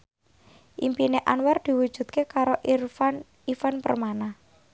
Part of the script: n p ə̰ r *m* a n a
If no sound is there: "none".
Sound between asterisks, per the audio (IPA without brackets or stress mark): m